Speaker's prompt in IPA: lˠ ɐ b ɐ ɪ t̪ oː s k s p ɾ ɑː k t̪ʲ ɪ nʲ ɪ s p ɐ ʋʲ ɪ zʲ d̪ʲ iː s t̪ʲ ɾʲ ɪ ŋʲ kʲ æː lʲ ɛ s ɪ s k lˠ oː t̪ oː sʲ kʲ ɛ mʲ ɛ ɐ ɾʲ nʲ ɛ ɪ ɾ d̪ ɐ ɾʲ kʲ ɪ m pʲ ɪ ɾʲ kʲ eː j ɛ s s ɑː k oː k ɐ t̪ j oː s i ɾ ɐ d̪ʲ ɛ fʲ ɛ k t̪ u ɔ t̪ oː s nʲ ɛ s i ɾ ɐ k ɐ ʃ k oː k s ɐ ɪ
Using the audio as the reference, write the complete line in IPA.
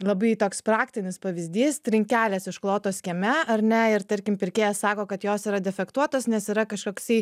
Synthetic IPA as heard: lˠ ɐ b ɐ ɪ t̪ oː k s p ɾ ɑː k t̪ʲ ɪ nʲ ɪ s p ɐ ʋʲ ɪ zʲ d̪ʲ iː s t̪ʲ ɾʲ ɪ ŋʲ kʲ æː lʲ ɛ s ɪ ʃ k lˠ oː t̪ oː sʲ kʲ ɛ mʲ ɛ ɐ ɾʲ nʲ ɛ ɪ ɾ t̪ ɐ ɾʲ kʲ ɪ m pʲ ɪ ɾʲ kʲ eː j ɛ s s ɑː k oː k ɐ t̪ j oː s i ɾ ɐ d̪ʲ ɛ fʲ ɛ k t̪ u ɔ t̪ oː s nʲ ɛ s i ɾ ɐ k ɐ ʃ k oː k s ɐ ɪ